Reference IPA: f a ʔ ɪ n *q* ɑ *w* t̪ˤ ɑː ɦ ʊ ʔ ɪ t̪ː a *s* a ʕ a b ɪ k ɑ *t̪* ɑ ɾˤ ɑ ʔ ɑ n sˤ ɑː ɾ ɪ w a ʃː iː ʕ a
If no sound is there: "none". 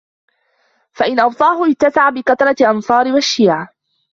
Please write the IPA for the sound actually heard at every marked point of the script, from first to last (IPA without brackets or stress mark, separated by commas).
ʔ, w, s, t̪